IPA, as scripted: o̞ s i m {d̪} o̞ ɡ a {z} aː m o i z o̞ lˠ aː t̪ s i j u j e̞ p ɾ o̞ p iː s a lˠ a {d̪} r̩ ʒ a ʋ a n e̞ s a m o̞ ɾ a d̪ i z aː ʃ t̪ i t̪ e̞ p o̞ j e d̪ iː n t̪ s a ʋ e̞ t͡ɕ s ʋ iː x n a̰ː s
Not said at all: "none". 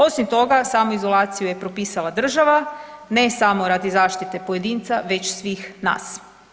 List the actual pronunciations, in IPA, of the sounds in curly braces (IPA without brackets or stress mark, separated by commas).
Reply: t̪, s, d̪